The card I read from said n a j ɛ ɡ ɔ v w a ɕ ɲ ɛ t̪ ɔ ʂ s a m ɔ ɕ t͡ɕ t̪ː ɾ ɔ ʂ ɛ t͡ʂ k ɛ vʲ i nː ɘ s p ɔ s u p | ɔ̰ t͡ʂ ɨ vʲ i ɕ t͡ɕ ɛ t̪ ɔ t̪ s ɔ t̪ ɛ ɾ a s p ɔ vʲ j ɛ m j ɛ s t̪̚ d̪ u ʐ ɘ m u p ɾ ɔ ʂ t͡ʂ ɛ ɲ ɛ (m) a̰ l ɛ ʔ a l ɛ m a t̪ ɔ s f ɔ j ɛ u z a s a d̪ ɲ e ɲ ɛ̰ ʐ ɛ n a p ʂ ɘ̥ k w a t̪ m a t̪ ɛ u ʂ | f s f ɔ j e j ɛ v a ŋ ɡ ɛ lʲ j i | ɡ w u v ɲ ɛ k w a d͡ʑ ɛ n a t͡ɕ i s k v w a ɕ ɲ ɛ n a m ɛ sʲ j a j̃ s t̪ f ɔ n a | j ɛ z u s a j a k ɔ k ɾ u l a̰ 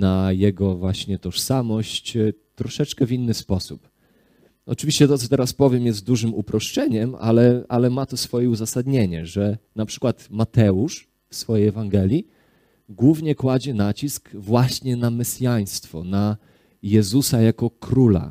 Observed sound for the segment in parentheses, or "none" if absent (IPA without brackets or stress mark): m